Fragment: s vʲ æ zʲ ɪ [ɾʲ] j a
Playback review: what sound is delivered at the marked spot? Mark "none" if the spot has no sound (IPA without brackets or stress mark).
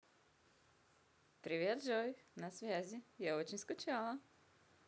none